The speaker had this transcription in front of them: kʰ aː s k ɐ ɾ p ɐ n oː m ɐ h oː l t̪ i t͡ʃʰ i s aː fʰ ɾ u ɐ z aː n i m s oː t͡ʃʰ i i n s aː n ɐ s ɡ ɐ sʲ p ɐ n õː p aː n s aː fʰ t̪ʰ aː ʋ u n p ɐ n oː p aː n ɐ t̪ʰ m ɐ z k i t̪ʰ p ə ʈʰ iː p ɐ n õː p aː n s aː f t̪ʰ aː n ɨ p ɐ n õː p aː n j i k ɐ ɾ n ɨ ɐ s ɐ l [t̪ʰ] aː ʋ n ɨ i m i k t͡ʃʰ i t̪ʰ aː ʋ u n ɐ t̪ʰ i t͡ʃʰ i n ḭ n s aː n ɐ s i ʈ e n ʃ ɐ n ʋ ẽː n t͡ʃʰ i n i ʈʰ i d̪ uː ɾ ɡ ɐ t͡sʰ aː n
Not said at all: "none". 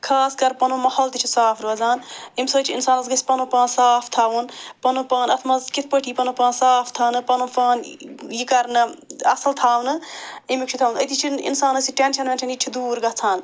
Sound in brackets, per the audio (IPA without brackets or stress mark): t̪ʰ